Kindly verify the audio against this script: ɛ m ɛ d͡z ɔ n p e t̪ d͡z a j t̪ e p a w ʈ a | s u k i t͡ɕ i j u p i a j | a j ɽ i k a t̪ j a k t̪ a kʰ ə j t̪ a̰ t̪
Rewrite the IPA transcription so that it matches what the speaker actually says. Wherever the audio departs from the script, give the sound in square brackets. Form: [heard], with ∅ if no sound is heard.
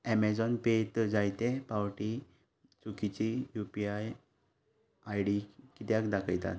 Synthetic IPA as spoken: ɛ m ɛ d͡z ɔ n p e t̪ d͡z a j t̪ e p a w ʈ [i] | [t͡s] u k i t͡ɕ i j u p i a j | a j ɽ i k [i] t̪ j a k [d̪] a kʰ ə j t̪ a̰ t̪